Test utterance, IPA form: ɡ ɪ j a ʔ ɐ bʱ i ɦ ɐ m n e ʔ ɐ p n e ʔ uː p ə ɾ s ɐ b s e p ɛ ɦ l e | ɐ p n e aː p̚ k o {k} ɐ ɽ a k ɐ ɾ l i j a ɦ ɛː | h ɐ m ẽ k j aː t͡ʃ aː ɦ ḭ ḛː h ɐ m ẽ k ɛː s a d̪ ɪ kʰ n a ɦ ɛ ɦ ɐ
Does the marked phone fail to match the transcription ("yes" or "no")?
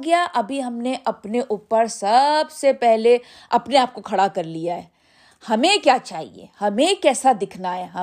yes